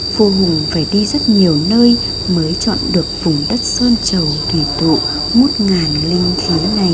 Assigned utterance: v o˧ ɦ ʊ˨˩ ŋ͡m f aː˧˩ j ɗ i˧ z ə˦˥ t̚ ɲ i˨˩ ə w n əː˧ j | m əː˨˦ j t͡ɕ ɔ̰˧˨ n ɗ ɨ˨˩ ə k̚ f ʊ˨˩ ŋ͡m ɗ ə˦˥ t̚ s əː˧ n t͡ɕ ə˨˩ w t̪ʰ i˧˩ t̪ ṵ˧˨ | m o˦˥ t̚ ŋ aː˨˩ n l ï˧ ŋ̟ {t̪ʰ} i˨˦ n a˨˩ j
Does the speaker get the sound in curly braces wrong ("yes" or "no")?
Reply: no